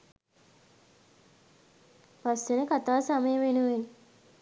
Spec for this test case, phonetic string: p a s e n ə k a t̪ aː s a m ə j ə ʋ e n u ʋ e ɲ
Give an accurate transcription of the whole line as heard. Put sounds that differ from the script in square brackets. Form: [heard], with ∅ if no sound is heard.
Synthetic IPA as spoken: p a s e n ə k a t̪ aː s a m ə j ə ʋ e n u ʋ e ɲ